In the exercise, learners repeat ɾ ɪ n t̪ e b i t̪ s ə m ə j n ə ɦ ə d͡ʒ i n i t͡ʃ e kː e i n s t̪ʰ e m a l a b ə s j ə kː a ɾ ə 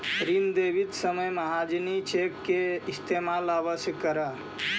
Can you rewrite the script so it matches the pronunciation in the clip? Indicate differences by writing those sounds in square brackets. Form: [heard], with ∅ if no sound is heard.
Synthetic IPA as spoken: ɾ [i] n [d̪] e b i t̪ s ə m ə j [m] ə ɦ [a] d͡ʒ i n i t͡ʃ e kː e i [∅] s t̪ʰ e m a l a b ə s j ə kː [ə] ɾ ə